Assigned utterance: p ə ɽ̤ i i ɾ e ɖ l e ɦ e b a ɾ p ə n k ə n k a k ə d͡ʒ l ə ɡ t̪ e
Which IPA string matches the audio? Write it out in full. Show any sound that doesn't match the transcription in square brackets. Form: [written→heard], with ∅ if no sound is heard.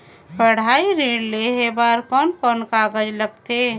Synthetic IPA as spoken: p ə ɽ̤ [i→a] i ɾ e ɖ l e ɦ e b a ɾ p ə n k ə n k a [k→ɡ] ə d͡ʒ l ə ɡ t̪ e